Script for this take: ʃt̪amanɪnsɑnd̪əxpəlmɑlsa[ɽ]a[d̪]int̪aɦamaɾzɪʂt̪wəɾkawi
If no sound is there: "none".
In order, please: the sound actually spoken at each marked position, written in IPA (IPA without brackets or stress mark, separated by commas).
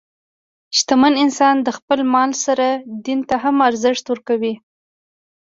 ɾ, d̪